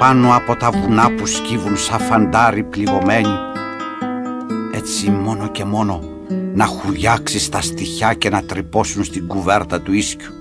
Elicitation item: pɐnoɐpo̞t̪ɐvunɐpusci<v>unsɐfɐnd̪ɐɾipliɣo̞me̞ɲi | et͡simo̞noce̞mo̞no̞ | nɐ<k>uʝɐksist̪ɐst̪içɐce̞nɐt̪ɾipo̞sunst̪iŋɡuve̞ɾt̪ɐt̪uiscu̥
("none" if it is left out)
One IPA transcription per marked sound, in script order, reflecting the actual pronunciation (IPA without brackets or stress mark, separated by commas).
v, x